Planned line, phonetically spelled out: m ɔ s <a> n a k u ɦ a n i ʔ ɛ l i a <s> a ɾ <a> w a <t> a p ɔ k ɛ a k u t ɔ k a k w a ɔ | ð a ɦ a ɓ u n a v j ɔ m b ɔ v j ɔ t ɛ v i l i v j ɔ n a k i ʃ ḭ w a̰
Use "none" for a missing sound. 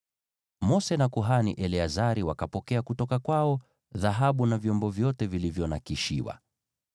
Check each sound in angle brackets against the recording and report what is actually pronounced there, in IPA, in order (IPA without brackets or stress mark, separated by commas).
ɛ, z, i, k